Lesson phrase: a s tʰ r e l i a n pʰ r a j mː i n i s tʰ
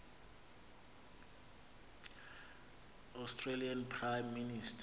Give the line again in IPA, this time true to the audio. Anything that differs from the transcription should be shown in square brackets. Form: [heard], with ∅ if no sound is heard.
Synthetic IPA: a s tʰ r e l i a n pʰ r a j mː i n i s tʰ